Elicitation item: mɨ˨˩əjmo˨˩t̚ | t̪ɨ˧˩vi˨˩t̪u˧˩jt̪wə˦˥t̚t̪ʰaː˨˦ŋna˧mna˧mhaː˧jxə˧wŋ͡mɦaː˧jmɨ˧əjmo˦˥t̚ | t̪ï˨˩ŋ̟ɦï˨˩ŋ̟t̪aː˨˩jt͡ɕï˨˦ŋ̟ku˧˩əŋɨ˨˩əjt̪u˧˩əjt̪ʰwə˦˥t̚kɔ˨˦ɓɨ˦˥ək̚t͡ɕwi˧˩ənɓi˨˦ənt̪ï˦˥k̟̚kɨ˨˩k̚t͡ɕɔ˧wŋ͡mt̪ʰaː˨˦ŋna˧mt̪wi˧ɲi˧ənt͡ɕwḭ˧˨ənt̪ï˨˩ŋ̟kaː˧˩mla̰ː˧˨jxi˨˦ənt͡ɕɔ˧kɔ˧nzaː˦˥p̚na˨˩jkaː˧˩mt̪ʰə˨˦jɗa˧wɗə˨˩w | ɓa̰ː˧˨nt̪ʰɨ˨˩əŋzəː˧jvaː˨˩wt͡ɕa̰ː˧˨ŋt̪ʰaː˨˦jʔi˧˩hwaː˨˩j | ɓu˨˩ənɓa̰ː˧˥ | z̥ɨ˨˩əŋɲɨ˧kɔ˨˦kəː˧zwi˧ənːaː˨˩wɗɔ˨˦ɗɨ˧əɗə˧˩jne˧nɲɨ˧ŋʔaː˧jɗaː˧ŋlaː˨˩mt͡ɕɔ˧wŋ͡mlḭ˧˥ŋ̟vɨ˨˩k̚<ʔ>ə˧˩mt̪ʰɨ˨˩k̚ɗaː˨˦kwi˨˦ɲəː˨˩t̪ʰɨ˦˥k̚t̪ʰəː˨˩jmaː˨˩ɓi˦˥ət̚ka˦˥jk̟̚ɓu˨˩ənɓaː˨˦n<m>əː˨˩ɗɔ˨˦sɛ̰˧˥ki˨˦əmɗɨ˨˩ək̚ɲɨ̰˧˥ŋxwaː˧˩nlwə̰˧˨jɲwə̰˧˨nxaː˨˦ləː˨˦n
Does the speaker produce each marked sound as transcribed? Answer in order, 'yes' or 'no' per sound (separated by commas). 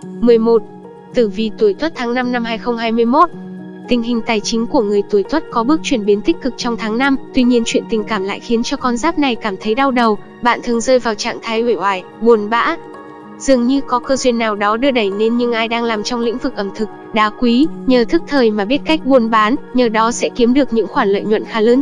yes, no